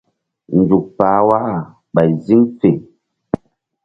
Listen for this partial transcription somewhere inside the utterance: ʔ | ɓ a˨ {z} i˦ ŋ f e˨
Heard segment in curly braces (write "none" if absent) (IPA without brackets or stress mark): z